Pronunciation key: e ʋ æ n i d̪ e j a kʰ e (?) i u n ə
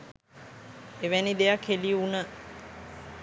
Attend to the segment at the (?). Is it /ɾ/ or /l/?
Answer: l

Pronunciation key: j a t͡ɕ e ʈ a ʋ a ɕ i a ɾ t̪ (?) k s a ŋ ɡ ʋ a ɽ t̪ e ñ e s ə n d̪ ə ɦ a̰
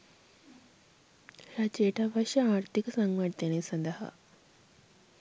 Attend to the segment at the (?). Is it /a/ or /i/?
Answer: i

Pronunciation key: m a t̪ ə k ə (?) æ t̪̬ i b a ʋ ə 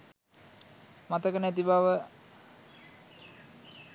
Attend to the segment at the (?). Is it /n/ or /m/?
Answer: n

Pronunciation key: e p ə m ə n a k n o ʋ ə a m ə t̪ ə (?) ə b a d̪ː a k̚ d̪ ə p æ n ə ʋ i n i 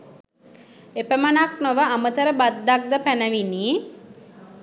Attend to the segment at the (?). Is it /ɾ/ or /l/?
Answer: ɾ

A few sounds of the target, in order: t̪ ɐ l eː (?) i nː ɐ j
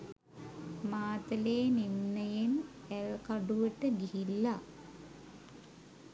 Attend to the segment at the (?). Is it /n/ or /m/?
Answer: n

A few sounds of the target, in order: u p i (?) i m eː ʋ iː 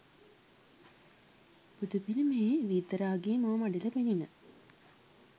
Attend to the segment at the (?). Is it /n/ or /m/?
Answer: n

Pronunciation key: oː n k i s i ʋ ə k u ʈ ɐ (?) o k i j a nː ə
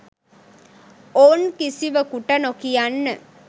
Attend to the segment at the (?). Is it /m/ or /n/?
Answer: n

